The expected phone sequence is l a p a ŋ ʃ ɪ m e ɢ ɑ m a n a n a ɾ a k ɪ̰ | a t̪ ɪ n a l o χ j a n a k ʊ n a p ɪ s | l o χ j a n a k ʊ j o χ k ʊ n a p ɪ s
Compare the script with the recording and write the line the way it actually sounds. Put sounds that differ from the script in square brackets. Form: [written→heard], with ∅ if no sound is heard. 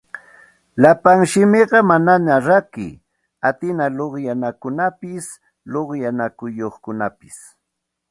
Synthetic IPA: l a p a ŋ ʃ ɪ m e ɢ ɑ m a n a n a ɾ a k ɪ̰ | a t̪ ɪ n a l o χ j a n a k ʊ n a p ɪ s | l o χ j a n a k ʊ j o χ k ʊ n a p ɪ s

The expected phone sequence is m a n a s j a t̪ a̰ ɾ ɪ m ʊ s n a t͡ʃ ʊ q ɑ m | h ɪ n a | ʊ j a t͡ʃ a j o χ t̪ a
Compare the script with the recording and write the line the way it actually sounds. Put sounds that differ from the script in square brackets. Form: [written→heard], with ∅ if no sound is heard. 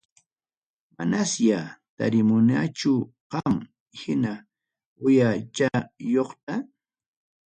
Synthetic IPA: m a n a s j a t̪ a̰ ɾ ɪ m ʊ [s→∅] n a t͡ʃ ʊ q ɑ m | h ɪ n a | ʊ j a t͡ʃ a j o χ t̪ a

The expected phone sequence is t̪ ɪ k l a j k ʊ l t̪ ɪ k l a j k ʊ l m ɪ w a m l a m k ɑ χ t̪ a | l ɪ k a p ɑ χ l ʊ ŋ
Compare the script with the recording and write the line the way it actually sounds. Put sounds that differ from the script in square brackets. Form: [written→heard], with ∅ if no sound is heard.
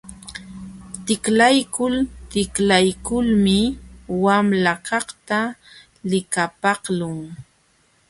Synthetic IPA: t̪ ɪ k l a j k ʊ l t̪ ɪ k l a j k ʊ l m ɪ w a m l a [m→∅] k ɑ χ t̪ a | l ɪ k a p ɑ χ l ʊ ŋ

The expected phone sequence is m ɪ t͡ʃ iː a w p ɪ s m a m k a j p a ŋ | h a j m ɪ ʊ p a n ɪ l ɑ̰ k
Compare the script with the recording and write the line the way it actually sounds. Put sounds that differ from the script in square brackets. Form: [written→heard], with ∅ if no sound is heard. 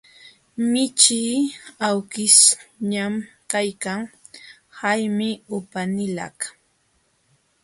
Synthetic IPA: m ɪ t͡ʃ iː a w [p→k] ɪ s [m→ɲ] a m k a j [p→k] a ŋ | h a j m ɪ ʊ p a n ɪ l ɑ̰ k

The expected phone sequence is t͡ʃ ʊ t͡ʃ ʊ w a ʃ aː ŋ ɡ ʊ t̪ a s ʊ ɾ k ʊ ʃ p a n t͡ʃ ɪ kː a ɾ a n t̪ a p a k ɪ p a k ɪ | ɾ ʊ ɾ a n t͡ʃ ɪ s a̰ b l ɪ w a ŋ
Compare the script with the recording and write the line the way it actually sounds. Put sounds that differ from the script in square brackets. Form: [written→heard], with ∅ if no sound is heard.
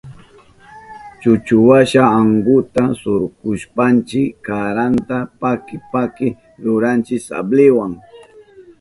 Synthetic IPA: t͡ʃ ʊ t͡ʃ ʊ w a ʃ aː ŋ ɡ ʊ t̪ a s ʊ ɾ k ʊ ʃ p a n t͡ʃ ɪ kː a ɾ a n t̪ a p a k ɪ p a k ɪ | ɾ ʊ ɾ a n t͡ʃ ɪ s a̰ b l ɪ w a ŋ

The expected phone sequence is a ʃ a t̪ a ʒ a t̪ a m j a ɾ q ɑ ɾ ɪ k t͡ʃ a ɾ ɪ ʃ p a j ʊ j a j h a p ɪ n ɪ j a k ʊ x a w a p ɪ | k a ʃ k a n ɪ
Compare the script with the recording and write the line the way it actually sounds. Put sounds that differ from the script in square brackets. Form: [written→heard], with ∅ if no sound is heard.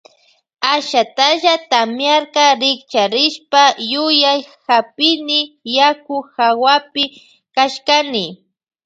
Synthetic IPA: a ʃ a t̪ a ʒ a t̪ a m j a ɾ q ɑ ɾ ɪ k t͡ʃ a ɾ ɪ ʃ p a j ʊ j a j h a p ɪ n ɪ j a k ʊ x a w a p ɪ | k a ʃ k a n ɪ

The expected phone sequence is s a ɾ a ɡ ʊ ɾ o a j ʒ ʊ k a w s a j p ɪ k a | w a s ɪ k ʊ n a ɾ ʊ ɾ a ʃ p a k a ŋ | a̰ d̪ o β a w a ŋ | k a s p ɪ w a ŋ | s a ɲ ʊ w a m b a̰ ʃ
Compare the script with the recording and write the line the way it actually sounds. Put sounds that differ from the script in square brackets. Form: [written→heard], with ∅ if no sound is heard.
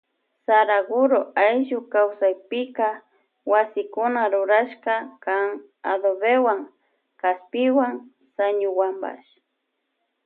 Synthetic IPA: s a ɾ a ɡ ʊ ɾ o a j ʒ ʊ k a w s a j p ɪ k a | w a s ɪ k ʊ n a ɾ ʊ ɾ a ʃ [p→k] a k a ŋ | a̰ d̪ o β [a→e] w a ŋ | k a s p ɪ w a ŋ | s a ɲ ʊ w a m b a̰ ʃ

